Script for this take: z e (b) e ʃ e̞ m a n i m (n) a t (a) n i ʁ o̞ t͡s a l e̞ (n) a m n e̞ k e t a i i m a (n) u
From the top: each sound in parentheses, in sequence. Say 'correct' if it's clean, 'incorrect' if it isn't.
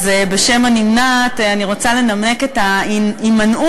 correct, correct, correct, correct, correct

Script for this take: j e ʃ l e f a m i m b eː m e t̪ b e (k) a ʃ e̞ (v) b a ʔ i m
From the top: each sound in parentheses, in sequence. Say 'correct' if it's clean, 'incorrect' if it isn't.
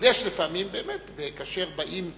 correct, incorrect: ʁ

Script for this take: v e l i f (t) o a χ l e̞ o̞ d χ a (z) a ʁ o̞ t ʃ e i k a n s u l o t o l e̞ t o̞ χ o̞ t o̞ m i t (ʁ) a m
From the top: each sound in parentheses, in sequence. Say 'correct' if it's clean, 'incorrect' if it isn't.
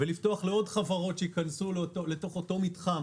correct, incorrect: v, incorrect: χ

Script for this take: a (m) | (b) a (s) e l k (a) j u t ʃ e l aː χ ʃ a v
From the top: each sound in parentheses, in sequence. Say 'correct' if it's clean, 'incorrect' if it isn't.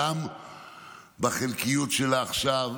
correct, correct, incorrect: χ, incorrect: i

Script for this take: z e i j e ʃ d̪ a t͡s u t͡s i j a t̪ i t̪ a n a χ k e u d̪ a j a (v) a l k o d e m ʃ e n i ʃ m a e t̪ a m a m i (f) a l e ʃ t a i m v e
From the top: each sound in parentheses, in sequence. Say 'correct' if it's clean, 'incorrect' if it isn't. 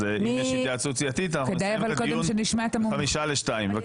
correct, incorrect: ʃ

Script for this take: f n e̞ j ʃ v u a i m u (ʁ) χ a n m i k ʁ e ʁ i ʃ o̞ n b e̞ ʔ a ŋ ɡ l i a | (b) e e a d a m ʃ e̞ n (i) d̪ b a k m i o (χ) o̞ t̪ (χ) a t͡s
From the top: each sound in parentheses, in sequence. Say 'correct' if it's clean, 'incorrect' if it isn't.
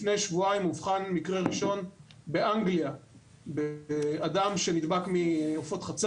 incorrect: v, correct, correct, incorrect: f, correct

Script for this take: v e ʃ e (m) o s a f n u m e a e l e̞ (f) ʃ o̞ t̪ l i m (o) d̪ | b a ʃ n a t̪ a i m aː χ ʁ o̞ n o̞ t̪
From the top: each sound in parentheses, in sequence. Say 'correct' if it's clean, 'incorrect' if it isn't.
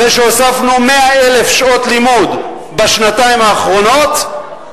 incorrect: none, correct, incorrect: u

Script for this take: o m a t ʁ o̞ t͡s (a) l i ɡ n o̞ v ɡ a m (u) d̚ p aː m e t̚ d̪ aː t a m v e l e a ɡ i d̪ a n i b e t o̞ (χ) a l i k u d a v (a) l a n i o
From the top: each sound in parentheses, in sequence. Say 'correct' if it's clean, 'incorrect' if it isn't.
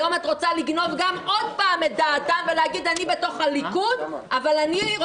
correct, incorrect: o, correct, correct

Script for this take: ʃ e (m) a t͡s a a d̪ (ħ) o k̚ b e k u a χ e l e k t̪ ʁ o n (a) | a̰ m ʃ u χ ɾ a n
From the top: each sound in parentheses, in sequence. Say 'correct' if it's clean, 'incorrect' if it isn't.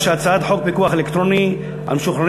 incorrect: none, correct, incorrect: i

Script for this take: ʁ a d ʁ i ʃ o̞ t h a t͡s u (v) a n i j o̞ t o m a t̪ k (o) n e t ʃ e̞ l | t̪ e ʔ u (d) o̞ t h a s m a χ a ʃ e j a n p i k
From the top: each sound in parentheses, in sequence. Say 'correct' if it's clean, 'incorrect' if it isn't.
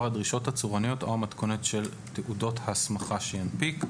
incorrect: ʁ, correct, correct

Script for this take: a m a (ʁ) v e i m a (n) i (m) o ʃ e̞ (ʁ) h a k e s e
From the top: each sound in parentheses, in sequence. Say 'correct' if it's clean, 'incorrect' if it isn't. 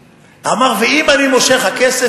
correct, correct, correct, incorrect: χ

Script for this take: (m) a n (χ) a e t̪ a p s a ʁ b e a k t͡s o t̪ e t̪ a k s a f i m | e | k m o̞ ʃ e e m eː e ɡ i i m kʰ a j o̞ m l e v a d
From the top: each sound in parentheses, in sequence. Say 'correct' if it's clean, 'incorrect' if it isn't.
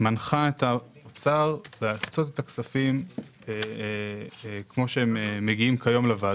correct, correct

